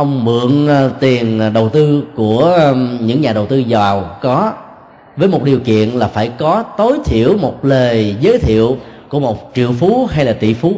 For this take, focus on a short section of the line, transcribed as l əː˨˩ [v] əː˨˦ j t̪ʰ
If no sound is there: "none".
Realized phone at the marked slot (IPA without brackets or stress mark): z